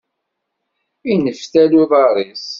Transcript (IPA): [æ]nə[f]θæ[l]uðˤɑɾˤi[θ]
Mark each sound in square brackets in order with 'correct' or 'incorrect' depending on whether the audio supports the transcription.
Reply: incorrect: i, correct, correct, incorrect: s

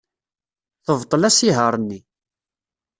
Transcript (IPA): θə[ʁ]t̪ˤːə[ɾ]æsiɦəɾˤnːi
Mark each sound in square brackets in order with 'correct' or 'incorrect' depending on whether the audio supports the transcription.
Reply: incorrect: v, incorrect: l

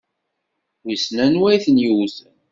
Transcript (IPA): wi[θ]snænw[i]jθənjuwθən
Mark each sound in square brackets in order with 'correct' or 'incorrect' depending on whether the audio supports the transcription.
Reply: incorrect: none, incorrect: æ

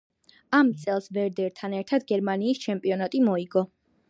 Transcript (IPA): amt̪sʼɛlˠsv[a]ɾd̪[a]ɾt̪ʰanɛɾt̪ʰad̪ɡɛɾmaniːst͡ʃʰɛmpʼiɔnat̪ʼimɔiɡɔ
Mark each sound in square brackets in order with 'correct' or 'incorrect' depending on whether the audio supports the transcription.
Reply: incorrect: ɛ, incorrect: ɛ

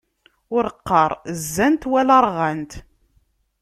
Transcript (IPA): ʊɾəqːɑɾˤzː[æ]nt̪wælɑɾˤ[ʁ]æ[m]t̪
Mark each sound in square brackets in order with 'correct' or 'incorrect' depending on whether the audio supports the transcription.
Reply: correct, correct, incorrect: n

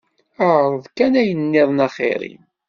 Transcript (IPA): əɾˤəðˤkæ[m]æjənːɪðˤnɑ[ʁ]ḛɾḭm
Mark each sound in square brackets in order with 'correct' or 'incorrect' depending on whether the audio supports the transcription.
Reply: incorrect: n, incorrect: χ

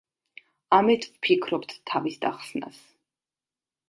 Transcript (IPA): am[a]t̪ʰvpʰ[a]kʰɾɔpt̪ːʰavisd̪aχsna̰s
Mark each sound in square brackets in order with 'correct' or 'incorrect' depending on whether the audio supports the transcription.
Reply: incorrect: ɛ, incorrect: i

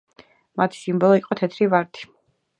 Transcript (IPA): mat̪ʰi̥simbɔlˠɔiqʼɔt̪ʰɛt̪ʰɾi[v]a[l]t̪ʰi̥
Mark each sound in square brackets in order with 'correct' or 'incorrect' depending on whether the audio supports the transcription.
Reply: correct, incorrect: ɾ

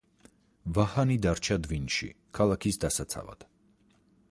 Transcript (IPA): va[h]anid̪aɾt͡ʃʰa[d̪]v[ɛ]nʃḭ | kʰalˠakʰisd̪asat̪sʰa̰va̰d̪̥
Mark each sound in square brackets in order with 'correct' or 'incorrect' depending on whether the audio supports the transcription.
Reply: correct, correct, incorrect: i

